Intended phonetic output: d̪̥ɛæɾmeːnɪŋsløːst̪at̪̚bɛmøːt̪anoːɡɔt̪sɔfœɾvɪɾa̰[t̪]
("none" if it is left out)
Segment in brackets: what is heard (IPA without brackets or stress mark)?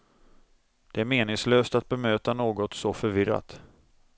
t̪